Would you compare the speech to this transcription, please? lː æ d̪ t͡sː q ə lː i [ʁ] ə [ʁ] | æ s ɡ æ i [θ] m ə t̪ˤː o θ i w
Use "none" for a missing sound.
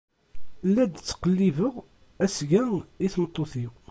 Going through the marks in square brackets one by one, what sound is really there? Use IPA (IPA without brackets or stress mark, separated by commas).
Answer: v, ʁ, θ